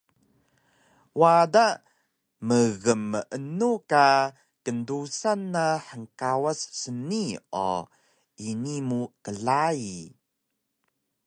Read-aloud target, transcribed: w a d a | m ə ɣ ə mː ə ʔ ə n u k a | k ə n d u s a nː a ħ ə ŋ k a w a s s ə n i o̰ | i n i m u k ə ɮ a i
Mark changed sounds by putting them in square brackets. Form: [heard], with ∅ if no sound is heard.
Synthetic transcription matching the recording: w a d a | m ə ɣ ə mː ə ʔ ə n u k a | k ə n d u s a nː a ħ ə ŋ k a w a s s ə n i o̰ | i n i m u k ə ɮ a i